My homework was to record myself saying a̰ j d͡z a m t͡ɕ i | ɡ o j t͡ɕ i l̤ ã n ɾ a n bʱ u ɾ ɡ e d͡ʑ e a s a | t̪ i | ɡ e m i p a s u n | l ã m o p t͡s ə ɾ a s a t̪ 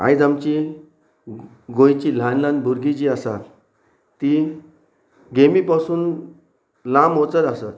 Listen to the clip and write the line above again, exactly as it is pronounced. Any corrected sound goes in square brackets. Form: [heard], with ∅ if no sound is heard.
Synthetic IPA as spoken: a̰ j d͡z a m t͡ɕ i | ɡ o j t͡ɕ i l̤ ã n [l] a n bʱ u ɾ ɡ [i] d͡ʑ [i] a s a | t̪ i | ɡ e m i p a s [uː] n | l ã m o [∅] t͡s ə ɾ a s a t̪